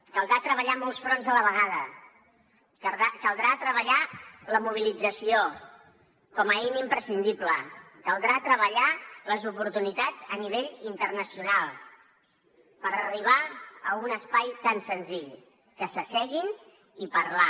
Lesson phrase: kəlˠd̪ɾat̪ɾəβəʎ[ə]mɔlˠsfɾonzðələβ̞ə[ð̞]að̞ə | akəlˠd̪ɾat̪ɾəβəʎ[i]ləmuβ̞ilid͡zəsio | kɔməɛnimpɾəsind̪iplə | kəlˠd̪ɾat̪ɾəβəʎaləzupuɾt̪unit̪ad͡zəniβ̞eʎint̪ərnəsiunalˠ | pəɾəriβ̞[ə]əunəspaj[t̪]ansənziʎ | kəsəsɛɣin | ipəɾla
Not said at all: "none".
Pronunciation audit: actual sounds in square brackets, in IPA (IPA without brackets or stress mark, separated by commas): a, ɣ̞, a, a, t̪